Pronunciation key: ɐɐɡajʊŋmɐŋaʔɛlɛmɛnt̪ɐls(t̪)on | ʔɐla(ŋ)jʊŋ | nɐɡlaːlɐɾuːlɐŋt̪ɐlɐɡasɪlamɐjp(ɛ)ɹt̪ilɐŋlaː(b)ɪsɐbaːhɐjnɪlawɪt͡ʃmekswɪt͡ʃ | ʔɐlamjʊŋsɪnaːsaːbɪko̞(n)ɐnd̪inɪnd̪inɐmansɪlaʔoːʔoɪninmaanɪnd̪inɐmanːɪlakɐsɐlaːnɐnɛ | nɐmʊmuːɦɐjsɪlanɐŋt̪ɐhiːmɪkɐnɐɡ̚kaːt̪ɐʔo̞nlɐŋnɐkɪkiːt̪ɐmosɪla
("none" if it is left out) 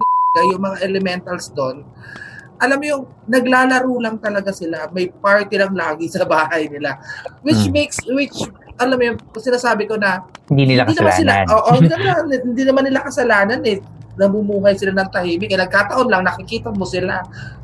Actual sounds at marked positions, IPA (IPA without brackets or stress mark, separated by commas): d̪, m, a, ɡ, n